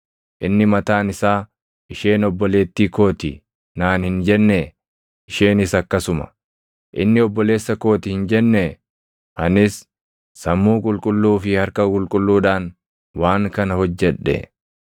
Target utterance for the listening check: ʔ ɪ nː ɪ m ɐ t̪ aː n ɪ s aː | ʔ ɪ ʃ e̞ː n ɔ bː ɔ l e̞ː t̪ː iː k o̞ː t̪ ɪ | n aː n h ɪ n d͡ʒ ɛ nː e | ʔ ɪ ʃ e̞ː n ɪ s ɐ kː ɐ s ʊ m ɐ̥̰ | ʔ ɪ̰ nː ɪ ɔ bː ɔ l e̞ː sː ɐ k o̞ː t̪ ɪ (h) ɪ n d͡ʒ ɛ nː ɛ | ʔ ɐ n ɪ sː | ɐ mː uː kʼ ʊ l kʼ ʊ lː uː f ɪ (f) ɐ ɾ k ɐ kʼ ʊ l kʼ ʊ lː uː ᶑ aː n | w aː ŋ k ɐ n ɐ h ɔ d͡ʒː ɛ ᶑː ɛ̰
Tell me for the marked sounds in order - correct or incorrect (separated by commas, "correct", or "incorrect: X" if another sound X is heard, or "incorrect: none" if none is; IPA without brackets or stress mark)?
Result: correct, incorrect: h